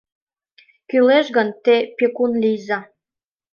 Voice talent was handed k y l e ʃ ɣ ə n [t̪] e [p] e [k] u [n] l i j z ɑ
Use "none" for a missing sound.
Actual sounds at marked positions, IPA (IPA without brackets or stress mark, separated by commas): t̪, p, k, n